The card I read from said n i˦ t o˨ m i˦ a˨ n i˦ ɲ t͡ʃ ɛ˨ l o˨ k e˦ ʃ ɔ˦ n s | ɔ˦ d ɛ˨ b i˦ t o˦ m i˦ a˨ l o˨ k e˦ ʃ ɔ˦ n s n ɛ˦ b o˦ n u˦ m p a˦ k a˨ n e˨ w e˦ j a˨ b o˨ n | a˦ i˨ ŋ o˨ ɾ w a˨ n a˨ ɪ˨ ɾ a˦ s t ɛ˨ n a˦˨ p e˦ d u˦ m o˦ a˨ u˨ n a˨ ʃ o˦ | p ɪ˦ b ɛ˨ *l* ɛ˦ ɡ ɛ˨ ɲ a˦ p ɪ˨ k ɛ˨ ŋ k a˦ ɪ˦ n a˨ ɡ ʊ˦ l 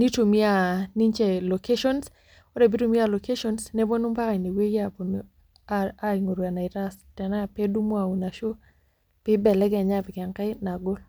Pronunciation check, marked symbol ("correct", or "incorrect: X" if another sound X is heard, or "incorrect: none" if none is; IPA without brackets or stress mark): correct